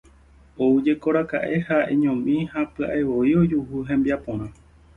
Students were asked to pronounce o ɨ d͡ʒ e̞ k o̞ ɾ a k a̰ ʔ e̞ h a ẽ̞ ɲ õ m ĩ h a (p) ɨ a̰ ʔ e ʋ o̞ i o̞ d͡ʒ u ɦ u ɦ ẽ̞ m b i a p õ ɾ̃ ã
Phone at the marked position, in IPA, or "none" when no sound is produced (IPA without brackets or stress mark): p